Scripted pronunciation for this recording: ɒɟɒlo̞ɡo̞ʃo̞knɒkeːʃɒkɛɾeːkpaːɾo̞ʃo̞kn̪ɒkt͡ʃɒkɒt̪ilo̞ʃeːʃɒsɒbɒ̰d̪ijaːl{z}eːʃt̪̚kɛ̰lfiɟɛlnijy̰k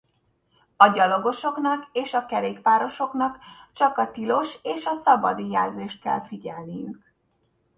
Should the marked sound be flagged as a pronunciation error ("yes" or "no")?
no